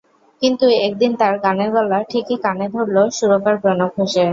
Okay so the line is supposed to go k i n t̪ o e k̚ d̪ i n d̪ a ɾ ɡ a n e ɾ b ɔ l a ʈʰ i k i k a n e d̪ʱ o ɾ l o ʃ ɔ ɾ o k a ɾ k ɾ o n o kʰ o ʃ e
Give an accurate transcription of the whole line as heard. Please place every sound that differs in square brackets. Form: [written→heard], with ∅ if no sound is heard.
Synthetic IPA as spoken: k i n t̪ [o→u] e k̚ d̪ i n [d̪→t̪] a ɾ ɡ a n e ɾ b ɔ l a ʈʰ i k i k a n e d̪ʱ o ɾ l o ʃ [ɔ→u] ɾ o k a ɾ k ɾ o n o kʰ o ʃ e